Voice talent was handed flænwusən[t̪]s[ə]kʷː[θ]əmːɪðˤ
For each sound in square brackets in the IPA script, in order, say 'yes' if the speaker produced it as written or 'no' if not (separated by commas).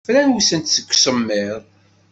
yes, yes, no